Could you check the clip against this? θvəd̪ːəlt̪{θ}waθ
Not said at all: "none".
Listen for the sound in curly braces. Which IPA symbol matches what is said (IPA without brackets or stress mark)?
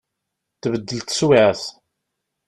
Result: s